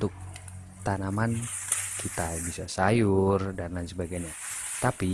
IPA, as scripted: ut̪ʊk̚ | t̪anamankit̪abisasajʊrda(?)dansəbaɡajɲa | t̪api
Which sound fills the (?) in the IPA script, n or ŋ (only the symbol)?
n